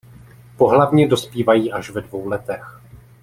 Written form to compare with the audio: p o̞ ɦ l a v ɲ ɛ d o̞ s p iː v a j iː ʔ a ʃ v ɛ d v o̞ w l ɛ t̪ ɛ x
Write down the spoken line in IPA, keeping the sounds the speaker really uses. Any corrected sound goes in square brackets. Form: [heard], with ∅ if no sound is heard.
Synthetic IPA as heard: p o̞ ɦ l a v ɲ ɛ d o̞ s p iː v a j iː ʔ a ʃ v ɛ d v o̞ w l ɛ t̪ ɛ x

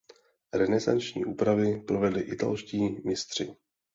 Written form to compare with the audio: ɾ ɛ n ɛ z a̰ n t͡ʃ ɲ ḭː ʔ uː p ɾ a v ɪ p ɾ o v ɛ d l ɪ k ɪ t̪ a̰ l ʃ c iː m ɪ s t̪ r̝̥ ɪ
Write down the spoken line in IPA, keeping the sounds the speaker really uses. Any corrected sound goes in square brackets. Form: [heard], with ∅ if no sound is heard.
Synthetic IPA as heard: ɾ ɛ n ɛ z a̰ n t͡ʃ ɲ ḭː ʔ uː p ɾ a v ɪ p ɾ o v ɛ d l ɪ [ʔ] ɪ t̪ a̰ l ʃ c iː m ɪ s t̪ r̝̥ ɪ

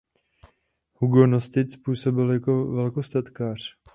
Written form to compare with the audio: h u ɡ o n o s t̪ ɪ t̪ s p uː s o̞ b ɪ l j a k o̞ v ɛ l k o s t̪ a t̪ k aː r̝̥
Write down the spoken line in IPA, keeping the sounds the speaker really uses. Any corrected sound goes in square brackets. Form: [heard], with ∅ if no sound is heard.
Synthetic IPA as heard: h u ɡ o n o s t̪ ɪ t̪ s p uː s o̞ b ɪ l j a k o̞ v ɛ l k o s t̪ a t̪ k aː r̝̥

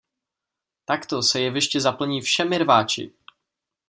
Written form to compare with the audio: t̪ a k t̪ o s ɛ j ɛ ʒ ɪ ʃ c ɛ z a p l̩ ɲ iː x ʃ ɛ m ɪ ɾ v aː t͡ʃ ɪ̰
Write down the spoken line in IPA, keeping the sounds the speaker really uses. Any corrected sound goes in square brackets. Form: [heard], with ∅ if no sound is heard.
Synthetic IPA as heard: t̪ a k t̪ o s ɛ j ɛ [v] ɪ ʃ c ɛ z a p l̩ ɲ iː [f] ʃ ɛ m ɪ ɾ v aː t͡ʃ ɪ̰

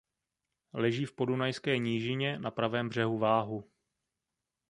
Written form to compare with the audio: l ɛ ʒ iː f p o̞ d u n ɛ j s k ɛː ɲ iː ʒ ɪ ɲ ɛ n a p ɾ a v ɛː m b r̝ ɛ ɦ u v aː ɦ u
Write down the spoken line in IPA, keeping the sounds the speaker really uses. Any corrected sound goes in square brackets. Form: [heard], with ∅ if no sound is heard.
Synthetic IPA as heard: l ɛ ʒ iː f p o̞ d u n [a] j s k ɛː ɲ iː ʒ ɪ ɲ ɛ n a p ɾ a v ɛː m b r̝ ɛ ɦ u v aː ɦ u

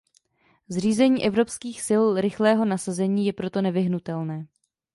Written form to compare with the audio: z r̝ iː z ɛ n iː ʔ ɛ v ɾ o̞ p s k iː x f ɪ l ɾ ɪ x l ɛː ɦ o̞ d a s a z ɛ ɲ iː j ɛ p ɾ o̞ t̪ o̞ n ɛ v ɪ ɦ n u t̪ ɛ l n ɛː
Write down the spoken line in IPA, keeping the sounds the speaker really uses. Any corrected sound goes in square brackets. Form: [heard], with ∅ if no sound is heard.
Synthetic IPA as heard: z r̝ iː z ɛ [ɲ] iː ʔ ɛ v ɾ o̞ p s k iː x [s] ɪ l ɾ ɪ x l ɛː ɦ o̞ [n] a s a z ɛ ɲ iː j ɛ p ɾ o̞ t̪ o̞ n ɛ v ɪ ɦ n u t̪ ɛ l n ɛː

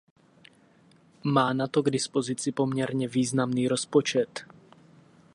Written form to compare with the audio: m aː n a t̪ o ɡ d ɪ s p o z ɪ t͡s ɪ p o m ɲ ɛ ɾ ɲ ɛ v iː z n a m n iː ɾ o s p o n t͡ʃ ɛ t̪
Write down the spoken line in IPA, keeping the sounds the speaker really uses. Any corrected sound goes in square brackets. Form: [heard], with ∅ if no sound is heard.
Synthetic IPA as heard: m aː n a t̪ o ɡ d ɪ s p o z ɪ t͡s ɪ p o m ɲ ɛ ɾ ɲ ɛ v iː z n a m n iː ɾ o s p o [∅] t͡ʃ ɛ t̪

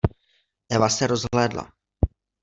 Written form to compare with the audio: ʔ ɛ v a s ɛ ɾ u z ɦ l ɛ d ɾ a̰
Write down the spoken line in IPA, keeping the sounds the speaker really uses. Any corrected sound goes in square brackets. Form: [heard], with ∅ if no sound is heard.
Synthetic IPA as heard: ʔ ɛ v a s ɛ ɾ [o] z ɦ l [ɛː] d [l] a̰

